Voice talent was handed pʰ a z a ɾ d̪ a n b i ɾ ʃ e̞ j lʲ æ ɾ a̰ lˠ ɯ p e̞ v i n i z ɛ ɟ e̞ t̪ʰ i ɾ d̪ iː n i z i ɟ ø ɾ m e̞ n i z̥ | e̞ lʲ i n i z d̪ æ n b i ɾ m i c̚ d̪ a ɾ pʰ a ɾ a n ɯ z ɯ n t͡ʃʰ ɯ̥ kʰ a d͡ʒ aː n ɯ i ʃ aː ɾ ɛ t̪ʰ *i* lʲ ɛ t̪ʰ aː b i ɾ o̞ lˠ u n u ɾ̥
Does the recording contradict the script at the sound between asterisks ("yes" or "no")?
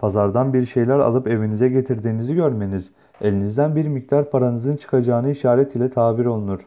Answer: no